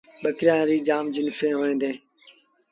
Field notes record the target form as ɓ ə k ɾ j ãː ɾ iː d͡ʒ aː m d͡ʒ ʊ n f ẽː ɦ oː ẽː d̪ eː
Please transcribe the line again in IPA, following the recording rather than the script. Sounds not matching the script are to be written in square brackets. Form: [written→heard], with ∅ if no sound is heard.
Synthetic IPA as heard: ɓ ə k ɾ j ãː ɾ iː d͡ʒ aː m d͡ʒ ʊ n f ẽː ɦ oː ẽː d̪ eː